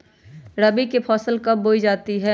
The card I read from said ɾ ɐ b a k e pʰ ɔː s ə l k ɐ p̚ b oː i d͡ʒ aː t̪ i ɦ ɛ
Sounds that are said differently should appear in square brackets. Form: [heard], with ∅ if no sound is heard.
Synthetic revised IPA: ɾ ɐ b [i] k e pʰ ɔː s ə l k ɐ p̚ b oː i d͡ʒ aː t̪ i ɦ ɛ